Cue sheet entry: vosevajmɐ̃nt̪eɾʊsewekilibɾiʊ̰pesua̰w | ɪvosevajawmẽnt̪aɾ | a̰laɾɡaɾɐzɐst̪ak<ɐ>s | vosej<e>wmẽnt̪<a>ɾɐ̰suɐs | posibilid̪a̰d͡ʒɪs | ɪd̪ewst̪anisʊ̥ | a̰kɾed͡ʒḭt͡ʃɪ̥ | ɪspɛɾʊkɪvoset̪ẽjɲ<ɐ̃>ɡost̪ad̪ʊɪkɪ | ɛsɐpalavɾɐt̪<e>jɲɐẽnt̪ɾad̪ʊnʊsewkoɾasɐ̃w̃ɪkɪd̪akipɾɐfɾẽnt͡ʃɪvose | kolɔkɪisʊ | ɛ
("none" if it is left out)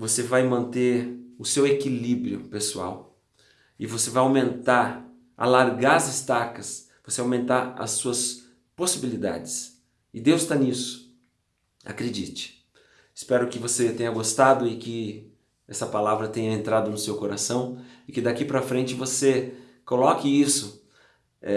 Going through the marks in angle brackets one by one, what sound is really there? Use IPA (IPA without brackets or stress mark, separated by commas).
ɐ, a, a, ɐ, ẽ